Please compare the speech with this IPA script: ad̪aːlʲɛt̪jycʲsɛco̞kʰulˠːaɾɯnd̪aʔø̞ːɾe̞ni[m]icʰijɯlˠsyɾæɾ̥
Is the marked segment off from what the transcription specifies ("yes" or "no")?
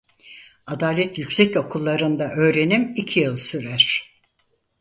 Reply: no